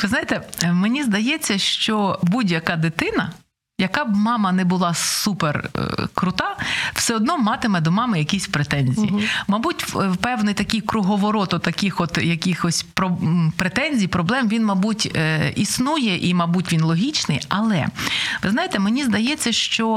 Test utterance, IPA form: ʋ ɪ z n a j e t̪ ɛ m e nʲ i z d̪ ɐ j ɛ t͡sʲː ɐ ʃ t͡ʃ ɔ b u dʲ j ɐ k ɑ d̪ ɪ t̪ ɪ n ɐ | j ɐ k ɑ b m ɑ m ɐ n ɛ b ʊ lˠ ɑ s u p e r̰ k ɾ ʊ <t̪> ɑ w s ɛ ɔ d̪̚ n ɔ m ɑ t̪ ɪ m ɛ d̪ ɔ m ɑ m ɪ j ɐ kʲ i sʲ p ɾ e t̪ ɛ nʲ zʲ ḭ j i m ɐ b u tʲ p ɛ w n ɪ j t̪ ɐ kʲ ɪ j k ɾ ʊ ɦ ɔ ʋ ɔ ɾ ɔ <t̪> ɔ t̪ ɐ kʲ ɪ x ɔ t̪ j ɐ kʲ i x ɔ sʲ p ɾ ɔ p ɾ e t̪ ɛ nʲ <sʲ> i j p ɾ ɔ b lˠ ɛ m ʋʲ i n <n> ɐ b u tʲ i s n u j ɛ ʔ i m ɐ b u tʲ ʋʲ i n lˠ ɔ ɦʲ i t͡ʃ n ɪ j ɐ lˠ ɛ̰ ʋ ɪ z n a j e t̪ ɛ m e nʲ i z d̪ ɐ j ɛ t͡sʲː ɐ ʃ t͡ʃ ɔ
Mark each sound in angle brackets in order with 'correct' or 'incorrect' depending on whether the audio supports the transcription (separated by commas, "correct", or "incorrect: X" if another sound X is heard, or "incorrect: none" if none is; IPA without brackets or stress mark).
correct, correct, incorrect: zʲ, incorrect: m